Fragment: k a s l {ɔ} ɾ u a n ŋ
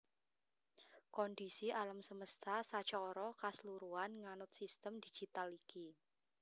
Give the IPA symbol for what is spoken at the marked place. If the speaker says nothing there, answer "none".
u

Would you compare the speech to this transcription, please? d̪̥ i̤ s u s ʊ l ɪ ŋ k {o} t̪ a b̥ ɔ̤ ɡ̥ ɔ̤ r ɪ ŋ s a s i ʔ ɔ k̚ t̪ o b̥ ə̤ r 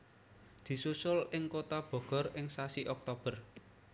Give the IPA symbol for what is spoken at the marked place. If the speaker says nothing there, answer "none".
o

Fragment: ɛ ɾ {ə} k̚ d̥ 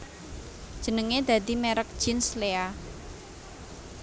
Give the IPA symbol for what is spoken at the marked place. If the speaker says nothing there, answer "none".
ə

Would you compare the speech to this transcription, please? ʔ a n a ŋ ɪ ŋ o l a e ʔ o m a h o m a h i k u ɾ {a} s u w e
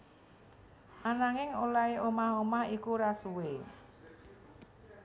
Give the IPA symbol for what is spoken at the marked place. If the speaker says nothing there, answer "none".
a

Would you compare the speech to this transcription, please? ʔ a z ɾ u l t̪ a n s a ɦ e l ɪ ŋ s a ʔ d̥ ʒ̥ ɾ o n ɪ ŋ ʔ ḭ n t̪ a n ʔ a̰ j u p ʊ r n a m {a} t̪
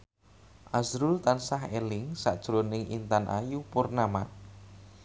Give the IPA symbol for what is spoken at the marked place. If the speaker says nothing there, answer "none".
a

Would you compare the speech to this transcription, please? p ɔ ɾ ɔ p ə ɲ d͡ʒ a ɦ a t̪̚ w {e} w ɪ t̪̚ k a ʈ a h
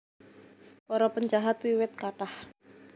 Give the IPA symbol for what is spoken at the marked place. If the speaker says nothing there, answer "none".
i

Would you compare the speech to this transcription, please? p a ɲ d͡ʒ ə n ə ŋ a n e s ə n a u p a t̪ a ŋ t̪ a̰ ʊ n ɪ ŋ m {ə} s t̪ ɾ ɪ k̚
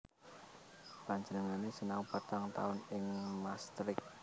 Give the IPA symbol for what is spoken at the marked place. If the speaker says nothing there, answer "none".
a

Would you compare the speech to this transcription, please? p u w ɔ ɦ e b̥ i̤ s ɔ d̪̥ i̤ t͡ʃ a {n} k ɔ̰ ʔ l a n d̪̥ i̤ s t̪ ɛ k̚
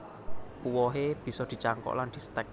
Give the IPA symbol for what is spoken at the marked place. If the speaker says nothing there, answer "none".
ŋ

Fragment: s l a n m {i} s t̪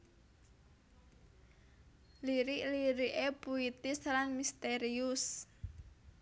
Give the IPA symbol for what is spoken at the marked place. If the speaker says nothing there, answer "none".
i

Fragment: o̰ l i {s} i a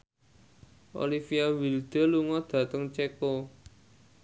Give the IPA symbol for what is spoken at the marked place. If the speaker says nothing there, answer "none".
f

